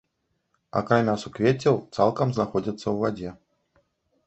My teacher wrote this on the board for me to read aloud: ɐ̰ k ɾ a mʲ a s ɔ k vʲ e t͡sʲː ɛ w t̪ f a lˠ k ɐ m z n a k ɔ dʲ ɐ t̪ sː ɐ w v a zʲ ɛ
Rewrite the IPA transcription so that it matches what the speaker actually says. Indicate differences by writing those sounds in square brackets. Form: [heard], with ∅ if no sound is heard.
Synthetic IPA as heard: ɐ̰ k ɾ a mʲ a s [u] k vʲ e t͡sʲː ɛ w t̪ [s] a lˠ k ɐ m z n a [x] ɔ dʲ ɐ t̪ sː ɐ w v a [d͡zʲ] ɛ